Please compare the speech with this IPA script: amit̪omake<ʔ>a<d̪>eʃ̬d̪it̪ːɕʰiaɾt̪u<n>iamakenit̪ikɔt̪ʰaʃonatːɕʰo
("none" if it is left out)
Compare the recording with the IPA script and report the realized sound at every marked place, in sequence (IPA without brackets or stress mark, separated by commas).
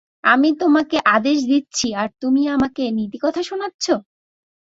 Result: ʔ, d̪, m